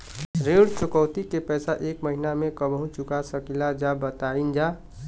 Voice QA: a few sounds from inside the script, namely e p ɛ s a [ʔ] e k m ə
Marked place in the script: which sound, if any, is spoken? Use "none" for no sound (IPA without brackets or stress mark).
ʔ